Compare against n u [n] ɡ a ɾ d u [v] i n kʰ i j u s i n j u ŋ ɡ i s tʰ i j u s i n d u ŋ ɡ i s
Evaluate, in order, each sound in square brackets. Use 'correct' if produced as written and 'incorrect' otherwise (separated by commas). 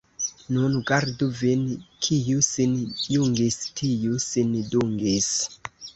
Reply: correct, correct